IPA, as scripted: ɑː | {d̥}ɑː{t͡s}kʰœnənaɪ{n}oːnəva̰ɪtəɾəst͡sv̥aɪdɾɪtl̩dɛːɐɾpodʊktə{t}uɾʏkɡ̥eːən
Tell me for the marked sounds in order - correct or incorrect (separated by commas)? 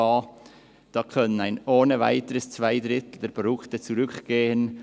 correct, incorrect, correct, incorrect